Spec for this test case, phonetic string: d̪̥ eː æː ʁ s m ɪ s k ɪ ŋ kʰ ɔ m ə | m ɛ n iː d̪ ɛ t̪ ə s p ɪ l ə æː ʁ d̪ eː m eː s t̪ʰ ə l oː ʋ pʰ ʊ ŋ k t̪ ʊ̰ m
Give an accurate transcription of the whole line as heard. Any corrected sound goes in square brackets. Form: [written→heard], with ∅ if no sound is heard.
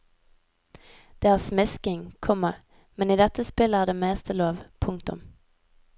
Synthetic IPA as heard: d̪̥ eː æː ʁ s m ɪ s k ɪ ŋ kʰ ɔ m ə | m ɛ n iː d̪ ɛ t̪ ə s p ɪ l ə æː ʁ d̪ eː m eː s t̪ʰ ə l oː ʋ pʰ ʊ ŋ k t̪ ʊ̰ m